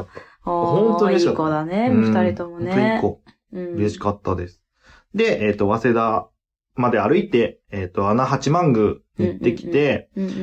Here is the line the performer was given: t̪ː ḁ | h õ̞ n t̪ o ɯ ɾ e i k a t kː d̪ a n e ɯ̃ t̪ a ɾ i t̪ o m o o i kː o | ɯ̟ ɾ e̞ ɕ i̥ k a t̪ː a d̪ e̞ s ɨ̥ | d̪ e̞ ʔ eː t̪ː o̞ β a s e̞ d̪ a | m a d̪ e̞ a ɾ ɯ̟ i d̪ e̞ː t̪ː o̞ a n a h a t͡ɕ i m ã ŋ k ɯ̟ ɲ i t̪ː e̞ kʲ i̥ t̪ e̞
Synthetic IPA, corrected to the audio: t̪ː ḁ | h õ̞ n t̪ o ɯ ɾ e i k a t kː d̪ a n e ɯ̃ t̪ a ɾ i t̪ o m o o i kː o | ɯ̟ ɾ e̞ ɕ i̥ k a t̪ː a d̪ e̞ s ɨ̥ | d̪ e̞ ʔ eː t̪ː o̞ β a s e̞ d̪ a | m a d̪ e̞ a ɾ ɯ̟ i t̪ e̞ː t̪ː o̞ a n a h a t͡ɕ i m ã ŋ ɡ ɯ̟ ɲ i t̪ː e̞ kʲ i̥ t̪ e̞